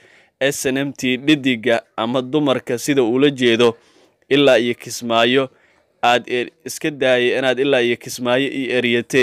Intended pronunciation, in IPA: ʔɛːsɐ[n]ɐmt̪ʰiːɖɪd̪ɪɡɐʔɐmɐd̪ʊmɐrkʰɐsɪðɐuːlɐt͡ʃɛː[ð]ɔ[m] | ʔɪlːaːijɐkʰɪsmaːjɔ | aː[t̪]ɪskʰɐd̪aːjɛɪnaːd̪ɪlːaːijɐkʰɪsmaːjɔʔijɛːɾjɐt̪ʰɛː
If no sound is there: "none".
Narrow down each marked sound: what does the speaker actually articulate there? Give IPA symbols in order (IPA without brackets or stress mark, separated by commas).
n, ð, none, d̪